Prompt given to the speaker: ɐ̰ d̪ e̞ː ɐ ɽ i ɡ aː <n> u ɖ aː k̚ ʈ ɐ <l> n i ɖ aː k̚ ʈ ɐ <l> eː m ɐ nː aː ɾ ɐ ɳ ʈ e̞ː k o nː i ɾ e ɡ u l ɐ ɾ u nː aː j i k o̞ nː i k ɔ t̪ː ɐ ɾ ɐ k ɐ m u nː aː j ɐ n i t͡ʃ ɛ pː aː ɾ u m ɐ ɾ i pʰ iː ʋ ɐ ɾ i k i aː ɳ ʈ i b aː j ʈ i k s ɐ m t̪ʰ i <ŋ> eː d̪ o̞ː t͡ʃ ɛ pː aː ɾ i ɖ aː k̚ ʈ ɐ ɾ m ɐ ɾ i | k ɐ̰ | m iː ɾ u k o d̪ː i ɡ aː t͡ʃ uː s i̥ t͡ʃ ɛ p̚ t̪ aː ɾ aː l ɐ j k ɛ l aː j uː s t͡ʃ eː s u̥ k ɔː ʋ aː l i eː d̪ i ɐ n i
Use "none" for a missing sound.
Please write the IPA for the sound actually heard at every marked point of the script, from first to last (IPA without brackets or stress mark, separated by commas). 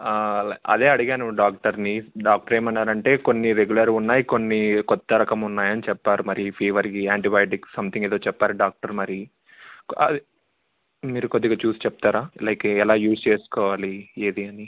n, ɾ, ɾ, ŋ